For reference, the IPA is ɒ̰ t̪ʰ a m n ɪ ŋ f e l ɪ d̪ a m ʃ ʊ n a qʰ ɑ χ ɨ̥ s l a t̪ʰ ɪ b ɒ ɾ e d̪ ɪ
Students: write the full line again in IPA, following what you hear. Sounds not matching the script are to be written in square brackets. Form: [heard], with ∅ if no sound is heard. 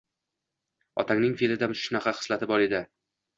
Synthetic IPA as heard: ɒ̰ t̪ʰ a [ŋ] n ɪ ŋ f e l ɪ d̪ a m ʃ ʊ n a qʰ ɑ χ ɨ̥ s l a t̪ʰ ɪ b ɒ ɾ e d̪ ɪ